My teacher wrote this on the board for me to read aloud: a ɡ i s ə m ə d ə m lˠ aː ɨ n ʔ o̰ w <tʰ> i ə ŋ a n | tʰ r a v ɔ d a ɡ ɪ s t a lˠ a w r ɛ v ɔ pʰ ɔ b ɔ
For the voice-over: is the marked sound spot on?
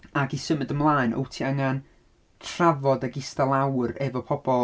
yes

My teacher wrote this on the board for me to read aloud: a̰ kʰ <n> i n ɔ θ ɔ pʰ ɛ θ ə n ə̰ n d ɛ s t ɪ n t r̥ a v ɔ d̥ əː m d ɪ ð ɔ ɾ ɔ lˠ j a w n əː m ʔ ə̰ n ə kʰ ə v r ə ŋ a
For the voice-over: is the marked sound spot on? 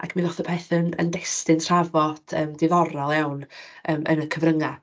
no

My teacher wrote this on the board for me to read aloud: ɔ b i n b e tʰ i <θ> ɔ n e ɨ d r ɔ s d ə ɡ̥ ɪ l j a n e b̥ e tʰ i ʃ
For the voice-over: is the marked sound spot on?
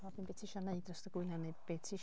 no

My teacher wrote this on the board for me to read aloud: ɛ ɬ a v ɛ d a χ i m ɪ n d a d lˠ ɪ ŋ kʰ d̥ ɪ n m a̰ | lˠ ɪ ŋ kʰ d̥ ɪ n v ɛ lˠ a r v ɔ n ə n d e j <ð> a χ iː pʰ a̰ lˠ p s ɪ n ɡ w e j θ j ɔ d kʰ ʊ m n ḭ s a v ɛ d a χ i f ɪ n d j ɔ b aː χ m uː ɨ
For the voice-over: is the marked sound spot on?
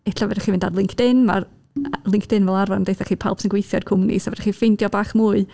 no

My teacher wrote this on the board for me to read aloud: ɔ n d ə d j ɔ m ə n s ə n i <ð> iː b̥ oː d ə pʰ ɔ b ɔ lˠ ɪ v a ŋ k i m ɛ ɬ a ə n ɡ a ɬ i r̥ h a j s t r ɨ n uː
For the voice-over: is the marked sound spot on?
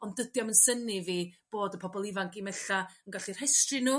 no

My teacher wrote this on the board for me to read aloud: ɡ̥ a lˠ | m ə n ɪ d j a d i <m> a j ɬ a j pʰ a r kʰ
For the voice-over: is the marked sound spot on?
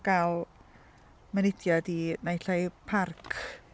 no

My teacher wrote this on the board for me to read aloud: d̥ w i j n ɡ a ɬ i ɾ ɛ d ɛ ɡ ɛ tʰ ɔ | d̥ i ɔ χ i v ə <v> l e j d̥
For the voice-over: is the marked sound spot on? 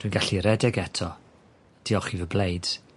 no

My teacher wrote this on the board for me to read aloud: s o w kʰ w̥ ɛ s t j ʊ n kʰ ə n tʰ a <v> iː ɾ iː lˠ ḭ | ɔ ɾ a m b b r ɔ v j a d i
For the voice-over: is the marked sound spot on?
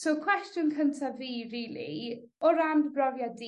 yes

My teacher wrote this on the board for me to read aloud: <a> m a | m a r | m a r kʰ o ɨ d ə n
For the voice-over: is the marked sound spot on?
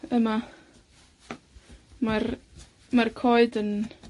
no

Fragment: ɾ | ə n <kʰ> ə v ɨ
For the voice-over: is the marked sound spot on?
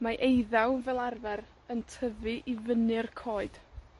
no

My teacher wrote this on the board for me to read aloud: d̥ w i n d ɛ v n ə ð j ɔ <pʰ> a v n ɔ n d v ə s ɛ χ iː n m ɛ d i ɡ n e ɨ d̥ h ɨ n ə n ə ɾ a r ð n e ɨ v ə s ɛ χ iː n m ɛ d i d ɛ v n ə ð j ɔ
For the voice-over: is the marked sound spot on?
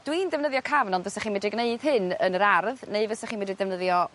no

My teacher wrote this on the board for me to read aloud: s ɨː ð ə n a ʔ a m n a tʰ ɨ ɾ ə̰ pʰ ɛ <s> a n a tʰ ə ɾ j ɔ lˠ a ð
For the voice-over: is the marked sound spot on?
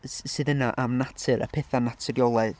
no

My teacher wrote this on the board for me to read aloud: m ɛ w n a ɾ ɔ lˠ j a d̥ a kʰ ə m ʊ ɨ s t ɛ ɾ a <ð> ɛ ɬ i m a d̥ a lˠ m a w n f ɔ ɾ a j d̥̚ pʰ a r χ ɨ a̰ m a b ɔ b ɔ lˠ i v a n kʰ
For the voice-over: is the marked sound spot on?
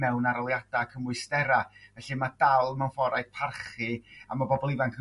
no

